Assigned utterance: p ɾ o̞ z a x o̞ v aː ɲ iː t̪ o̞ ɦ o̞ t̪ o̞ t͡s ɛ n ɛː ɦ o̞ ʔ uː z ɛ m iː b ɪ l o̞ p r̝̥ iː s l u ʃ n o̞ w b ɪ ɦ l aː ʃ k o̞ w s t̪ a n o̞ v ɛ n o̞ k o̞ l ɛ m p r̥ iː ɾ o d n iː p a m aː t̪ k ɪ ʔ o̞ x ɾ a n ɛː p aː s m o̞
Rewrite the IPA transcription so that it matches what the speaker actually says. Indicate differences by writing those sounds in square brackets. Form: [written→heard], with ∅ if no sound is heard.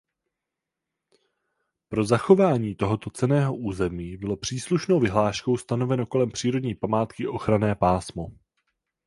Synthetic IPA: p ɾ o̞ z a x o̞ v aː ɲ iː t̪ o̞ ɦ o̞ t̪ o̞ t͡s ɛ n ɛː ɦ o̞ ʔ uː z ɛ m iː b ɪ l o̞ p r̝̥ iː s l u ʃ n o̞ w [b→v] ɪ ɦ l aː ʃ k o̞ w s t̪ a n o̞ v ɛ n o̞ k o̞ l ɛ m p r̥ iː ɾ o d [n→ɲ] iː p a m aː t̪ k ɪ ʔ o̞ x ɾ a n ɛː p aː s m o̞